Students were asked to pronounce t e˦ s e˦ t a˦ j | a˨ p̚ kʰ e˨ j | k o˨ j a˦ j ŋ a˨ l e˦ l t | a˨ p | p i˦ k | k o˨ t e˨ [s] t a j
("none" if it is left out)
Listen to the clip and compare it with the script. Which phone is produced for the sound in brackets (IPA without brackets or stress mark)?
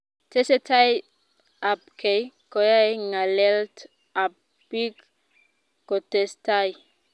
s